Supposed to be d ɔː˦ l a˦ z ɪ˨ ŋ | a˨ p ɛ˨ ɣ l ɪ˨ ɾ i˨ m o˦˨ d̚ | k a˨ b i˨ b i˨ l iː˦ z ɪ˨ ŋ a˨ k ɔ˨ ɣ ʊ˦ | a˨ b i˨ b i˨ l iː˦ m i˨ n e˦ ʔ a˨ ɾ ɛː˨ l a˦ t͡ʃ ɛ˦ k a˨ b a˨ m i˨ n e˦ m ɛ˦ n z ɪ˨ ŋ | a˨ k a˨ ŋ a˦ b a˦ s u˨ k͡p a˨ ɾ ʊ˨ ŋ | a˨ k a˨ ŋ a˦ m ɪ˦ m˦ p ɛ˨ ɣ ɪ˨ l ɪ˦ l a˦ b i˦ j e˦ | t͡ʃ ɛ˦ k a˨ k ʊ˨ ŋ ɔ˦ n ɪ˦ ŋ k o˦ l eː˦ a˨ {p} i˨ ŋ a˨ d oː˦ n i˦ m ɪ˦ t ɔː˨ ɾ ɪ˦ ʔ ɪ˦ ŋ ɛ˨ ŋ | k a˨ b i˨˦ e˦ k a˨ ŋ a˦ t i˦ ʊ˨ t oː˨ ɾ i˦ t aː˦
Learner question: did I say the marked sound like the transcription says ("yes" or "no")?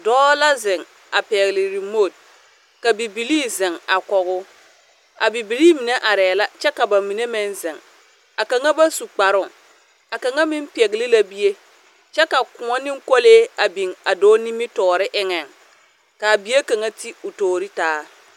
no